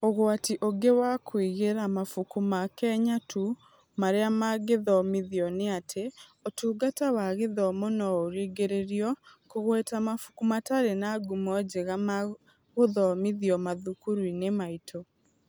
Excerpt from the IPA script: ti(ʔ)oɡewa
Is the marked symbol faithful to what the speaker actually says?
yes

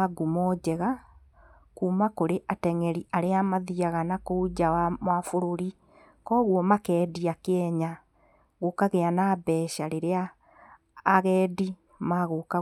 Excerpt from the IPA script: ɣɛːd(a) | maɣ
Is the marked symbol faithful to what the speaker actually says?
no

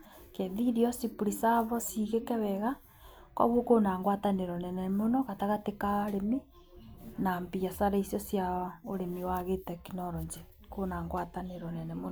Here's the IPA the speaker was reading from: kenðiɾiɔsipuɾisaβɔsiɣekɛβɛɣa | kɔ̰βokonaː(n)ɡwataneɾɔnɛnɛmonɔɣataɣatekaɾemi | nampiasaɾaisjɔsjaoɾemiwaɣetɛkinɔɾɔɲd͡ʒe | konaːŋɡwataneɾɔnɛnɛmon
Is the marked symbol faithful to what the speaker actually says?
no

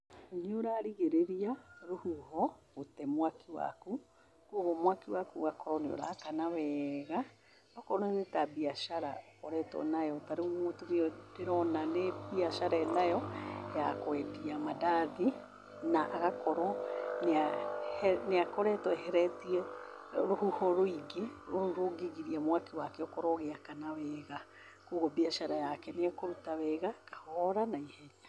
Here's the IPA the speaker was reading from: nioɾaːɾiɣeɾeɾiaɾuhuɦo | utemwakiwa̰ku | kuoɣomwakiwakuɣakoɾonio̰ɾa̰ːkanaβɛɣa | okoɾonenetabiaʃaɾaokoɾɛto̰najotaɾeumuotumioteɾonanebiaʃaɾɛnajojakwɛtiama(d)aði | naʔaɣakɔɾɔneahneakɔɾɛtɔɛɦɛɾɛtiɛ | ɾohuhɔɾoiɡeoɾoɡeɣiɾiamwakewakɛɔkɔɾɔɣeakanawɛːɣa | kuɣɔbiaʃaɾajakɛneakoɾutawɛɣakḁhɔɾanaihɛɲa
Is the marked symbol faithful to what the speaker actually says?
yes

